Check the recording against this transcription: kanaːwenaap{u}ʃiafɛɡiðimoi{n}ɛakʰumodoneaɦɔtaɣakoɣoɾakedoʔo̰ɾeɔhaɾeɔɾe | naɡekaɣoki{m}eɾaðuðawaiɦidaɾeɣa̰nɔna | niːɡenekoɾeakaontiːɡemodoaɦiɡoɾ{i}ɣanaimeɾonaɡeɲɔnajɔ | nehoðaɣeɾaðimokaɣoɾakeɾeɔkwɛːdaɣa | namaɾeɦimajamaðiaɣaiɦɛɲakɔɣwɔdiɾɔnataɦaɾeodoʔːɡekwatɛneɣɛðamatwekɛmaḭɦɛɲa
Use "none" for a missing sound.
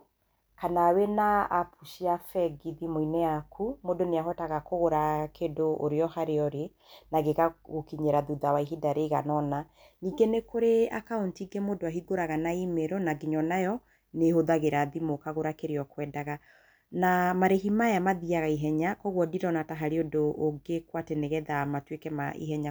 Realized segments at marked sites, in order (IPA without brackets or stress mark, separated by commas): u, n, ɲ, a